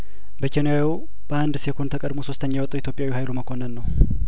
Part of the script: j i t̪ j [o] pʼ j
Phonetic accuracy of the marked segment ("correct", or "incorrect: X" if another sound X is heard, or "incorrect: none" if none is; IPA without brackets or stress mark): correct